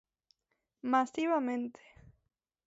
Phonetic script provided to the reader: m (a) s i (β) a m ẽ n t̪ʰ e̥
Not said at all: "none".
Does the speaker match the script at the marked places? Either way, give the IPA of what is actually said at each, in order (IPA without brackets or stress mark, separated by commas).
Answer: a, β